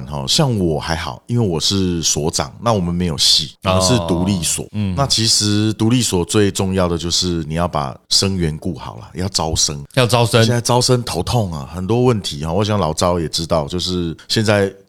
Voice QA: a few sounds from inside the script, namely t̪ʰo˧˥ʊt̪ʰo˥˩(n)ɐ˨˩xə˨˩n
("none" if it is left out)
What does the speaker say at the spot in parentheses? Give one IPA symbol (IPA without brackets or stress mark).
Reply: ŋ